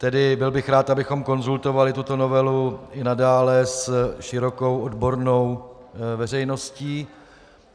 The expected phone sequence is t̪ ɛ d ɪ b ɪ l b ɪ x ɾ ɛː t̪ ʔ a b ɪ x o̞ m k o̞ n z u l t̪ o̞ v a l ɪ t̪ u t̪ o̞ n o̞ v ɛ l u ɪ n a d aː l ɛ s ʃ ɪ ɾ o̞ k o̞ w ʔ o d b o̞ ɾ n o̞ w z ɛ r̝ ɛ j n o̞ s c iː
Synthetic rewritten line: t̪ ɛ d ɪ b ɪ l b ɪ x ɾ aː t̪ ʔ a b ɪ x o̞ m k o̞ n z u l t̪ o̞ v a l ɪ t̪ u t̪ o̞ n o̞ v ɛ l u ɪ n a d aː l ɛ s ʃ ɪ ɾ o̞ k o̞ w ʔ o d b o̞ ɾ n o̞ w v ɛ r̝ ɛ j n o̞ s c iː

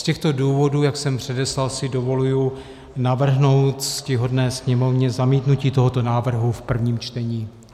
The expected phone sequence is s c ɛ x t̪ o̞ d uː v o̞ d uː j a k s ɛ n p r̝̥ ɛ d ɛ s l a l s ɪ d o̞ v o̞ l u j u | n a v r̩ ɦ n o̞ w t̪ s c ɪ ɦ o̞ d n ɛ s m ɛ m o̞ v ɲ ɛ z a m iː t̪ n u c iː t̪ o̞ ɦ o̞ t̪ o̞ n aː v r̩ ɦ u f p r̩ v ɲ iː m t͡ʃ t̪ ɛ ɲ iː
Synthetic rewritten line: s c ɛ x t̪ o̞ d uː v o̞ d uː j a k s ɛ m p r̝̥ ɛ d ɛ s l a l s ɪ d o̞ v o̞ l u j u | n a v r̩ ɦ n o̞ w t̪ s c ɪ ɦ o̞ d n ɛː s ɲ ɛ m o̞ v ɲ ɛ z a m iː t̪ n u c iː t̪ o̞ ɦ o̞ t̪ o̞ n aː v r̩ ɦ u f p r̩ v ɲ iː m t͡ʃ t̪ ɛ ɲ iː

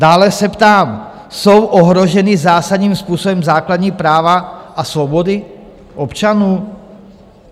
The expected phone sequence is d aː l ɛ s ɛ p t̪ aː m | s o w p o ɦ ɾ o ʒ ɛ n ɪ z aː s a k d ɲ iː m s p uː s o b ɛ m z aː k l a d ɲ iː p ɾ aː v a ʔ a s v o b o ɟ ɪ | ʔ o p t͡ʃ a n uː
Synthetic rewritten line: d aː l ɛ s ɛ p t̪ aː m | s o w ʔ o ɦ ɾ o ʒ ɛ n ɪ z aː s a d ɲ iː m s p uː s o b ɛ m z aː k l a d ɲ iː p ɾ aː v a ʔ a s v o b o d ɪ | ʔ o p t͡ʃ a n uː

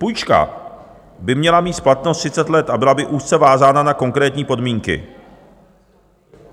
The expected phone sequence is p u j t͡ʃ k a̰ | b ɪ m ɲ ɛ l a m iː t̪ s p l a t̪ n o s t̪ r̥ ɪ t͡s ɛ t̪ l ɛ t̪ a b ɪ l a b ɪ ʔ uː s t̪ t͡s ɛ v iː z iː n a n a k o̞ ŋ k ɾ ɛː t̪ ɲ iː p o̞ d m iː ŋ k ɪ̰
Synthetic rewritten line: p u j t͡ʃ k a̰ | b ɪ m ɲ ɛ l a m iː t̪ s p l a t̪ n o s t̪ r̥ ɪ t͡s ɛ t̪ l ɛ t̪ a b ɪ l a b ɪ ʔ uː s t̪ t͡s ɛ v aː z aː n a n a k o̞ ŋ k ɾ ɛː t̪ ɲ iː p o̞ d m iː ŋ k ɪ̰

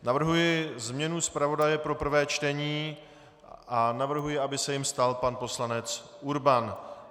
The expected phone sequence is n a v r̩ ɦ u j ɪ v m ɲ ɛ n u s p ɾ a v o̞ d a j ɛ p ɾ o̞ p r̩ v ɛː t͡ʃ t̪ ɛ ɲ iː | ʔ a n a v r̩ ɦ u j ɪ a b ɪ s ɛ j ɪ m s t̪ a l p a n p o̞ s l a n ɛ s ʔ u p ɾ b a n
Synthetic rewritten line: n a v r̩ ɦ u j ɪ z m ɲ ɛ n u s p ɾ a v o̞ d a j ɛ p ɾ o̞ p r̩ v ɛː t͡ʃ t̪ ɛ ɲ iː | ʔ a n a v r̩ ɦ u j ɪ a b ɪ s ɛ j ɪ m s t̪ a l p a n p o̞ s l a n ɛ t͡s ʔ u ɾ b a n

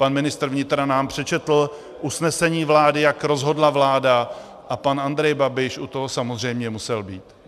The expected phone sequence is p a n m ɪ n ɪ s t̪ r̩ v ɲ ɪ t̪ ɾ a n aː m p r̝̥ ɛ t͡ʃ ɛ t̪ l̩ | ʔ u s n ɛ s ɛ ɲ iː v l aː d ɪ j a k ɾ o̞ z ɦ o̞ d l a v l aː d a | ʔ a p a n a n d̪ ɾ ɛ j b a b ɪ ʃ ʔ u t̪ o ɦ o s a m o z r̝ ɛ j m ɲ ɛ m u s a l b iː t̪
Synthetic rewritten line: p a n m ɪ n ɪ s t̪ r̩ v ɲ ɪ t̪ ɾ a n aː m p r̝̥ ɛ t͡ʃ ɛ t̪ l̩ | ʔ u s n ɛ s ɛ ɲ iː v l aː d ɪ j a k ɾ o̞ z ɦ o̞ d l a v l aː d a | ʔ a p a n a n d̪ ɾ ɛ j b a b ɪ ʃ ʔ u t̪ o ɦ o s a m o z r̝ ɛ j m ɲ ɛ m u s ɛ l b iː t̪

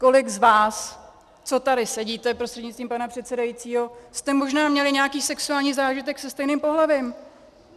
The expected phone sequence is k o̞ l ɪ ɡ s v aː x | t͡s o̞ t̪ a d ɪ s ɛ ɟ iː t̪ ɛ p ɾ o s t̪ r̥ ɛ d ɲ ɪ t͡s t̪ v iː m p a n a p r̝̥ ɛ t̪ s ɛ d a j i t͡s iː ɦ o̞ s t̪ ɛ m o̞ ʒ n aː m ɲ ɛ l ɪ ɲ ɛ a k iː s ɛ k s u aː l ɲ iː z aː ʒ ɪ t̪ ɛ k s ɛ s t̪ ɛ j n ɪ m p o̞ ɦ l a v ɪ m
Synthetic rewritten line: k o̞ l ɪ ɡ z v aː s | t͡s o̞ t̪ a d ɪ s ɛ ɟ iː t̪ ɛ p ɾ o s t̪ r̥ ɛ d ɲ ɪ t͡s t̪ v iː m p a n a p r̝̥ ɛ t̪ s ɛ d a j i t͡s iː ɦ o̞ s t̪ ɛ m o̞ ʒ n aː m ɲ ɛ l ɪ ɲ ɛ a k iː s ɛ k s u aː l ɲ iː z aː ʒ ɪ t̪ ɛ k s ɛ s t̪ ɛ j n ɪ m p o̞ ɦ l a v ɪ m

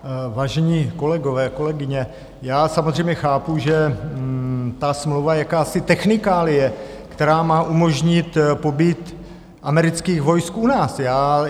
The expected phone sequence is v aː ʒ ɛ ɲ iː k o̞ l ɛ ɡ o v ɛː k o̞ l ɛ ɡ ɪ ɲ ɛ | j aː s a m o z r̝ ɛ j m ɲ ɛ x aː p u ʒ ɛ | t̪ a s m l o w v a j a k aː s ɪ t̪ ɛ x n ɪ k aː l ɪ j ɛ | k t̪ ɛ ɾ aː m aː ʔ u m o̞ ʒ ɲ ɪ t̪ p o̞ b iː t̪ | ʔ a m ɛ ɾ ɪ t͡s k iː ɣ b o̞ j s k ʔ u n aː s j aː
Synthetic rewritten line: v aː ʒ ɛ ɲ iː k o̞ l ɛ ɡ o v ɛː k o̞ l ɛ ɡ ɪ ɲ ɛ | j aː s a m o z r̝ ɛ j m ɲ ɛ x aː p u ʒ ɛ | t̪ a s m l o w v a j a k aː s ɪ t̪ ɛ x n ɪ k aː l ɪ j ɛ | k t̪ ɛ ɾ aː m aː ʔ u m o̞ ʒ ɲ ɪ t̪ p o̞ b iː t̪ | ʔ a m ɛ ɾ ɪ t͡s k iː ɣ v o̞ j s k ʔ u n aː s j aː

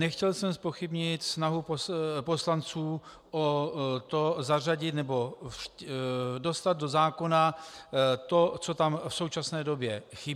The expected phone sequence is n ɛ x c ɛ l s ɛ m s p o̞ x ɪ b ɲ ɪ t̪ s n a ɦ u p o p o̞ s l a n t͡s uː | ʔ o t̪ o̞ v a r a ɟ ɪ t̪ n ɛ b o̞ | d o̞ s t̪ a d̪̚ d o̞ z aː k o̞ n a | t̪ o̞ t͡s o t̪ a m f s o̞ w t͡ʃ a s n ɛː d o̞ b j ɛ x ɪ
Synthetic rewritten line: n ɛ x c ɛ l s ɛ m s p o̞ x ɪ b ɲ ɪ t̪ s n a ɦ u p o p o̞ s l a n t͡s uː | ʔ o t̪ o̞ z a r a ɟ ɪ t̪ n ɛ b o̞ | d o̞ s t̪ a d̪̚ d o̞ z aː k o̞ n a | t̪ o̞ t͡s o t̪ a m f s o̞ w t͡ʃ a s n ɛː d o̞ b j ɛ x ɪ

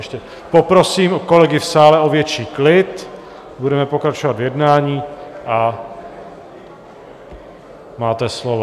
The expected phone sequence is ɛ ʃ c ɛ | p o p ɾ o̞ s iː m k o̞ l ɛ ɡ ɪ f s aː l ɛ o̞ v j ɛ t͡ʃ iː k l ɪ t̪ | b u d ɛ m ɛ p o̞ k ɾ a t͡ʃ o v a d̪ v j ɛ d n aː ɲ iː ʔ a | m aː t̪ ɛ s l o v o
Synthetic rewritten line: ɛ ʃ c ɛ | p o p ɾ o̞ s iː m k o̞ l ɛ ɡ ɪ f s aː l ɛ o̞ v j ɛ t͡ʃ iː k l ɪ t̪ | b u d ɛ m ɛ p o̞ k ɾ a t͡ʃ o v a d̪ v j ɛ d n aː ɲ iː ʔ a | m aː t̪ ɛ s l o v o

